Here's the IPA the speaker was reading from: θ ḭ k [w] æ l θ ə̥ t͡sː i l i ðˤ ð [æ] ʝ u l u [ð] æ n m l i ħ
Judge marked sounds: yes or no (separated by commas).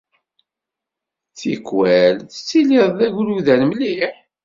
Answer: yes, yes, yes